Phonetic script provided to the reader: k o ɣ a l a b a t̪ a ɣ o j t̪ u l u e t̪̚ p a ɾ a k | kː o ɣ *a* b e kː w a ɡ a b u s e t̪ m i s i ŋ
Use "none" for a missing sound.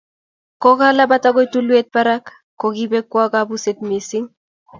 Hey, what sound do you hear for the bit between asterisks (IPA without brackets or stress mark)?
i